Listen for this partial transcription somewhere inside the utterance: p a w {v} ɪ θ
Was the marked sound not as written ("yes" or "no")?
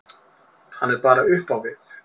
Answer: no